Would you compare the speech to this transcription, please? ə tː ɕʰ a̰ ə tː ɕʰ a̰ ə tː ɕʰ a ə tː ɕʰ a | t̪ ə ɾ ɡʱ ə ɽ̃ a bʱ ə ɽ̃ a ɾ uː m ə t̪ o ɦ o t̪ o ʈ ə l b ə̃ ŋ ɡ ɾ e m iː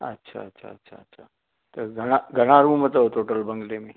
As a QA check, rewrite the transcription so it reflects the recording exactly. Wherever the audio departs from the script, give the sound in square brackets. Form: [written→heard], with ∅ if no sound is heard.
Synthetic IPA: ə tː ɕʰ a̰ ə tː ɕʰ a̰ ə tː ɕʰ a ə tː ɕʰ a | t̪ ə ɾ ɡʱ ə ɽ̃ a [bʱ→ɡʱ] ə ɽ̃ a ɾ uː m ə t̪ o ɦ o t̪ o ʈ ə l b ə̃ ŋ ɡ [ɾ→l] e m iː